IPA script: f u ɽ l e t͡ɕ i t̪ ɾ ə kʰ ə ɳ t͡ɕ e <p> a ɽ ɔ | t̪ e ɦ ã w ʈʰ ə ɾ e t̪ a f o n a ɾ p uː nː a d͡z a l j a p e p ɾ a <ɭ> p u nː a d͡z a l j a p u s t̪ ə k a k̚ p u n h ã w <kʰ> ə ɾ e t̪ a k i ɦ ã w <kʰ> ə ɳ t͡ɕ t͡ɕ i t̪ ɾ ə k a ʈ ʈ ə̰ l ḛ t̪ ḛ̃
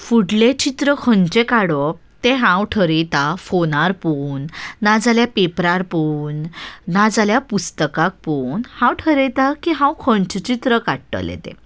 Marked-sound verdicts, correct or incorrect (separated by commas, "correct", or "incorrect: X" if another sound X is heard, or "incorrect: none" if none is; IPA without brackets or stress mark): incorrect: k, incorrect: ɾ, incorrect: ʈʰ, correct